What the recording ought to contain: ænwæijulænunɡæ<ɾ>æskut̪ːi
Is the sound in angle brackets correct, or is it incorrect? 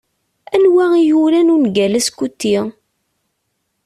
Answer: incorrect